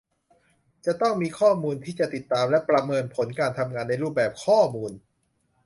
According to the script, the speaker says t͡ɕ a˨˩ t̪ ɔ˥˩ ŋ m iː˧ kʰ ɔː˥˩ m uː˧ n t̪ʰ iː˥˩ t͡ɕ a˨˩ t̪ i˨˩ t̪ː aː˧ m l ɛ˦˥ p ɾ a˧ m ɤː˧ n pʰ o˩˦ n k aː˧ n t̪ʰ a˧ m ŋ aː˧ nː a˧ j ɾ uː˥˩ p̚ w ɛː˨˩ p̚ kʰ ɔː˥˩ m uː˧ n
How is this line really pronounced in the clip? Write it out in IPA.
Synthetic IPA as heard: t͡ɕ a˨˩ t̪ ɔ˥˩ ŋ m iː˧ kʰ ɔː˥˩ m uː˧ n t̪ʰ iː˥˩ t͡ɕ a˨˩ t̪ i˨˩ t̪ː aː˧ m l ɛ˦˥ p ɾ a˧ m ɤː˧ n pʰ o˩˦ n k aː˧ n t̪ʰ a˧ m ŋ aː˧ nː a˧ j ɾ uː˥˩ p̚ b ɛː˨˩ p̚ kʰ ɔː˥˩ m uː˧ n